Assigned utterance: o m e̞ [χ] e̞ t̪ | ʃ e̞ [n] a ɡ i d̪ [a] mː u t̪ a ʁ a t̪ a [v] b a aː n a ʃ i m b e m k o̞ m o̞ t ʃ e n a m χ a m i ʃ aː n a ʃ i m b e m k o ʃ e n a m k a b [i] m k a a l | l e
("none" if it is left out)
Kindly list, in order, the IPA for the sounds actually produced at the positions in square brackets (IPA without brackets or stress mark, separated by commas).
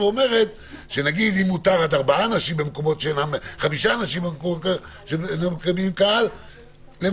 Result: ʁ, n, i, ʁ, i